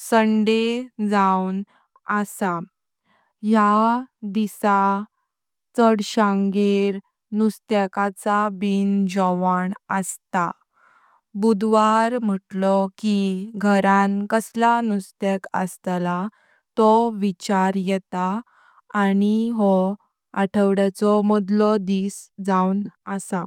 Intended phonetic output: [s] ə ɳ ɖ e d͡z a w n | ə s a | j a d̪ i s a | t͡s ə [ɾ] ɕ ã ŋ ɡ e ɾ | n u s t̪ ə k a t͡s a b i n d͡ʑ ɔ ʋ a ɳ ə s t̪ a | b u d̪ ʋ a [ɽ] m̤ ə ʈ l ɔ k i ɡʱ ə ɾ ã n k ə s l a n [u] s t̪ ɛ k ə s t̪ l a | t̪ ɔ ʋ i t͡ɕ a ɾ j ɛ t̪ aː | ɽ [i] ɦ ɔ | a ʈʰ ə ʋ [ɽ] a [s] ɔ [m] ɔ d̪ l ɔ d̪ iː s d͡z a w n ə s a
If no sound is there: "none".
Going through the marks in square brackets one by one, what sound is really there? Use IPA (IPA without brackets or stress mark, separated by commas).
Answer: s, ɽ, ɾ, u, i, ɽ, t͡s, m